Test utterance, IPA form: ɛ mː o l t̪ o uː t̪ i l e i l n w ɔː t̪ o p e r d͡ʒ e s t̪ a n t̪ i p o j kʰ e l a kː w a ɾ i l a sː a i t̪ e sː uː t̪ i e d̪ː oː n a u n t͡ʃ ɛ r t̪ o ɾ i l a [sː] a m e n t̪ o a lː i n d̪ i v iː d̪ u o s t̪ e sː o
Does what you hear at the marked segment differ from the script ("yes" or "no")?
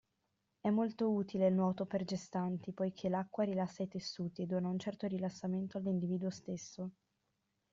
no